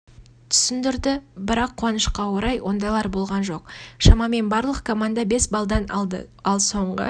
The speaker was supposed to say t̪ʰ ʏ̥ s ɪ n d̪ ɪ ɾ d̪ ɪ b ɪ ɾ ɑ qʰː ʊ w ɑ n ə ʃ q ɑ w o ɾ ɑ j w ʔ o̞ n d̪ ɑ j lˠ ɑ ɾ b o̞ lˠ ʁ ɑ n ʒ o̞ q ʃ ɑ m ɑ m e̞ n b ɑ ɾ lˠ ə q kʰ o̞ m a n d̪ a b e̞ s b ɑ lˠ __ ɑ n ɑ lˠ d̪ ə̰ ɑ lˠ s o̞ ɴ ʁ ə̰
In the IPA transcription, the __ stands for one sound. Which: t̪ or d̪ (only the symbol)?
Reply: d̪